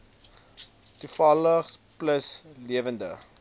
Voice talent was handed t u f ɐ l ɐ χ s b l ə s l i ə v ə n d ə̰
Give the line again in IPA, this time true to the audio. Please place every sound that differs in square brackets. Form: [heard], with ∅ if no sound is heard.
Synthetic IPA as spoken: t u f ɐ l [ə] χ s [p] l ə s l i ə v ə n d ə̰